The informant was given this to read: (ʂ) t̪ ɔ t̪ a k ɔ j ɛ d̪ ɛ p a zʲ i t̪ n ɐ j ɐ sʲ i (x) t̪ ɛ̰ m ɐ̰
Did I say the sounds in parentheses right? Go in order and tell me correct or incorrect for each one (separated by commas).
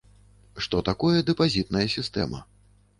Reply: correct, incorrect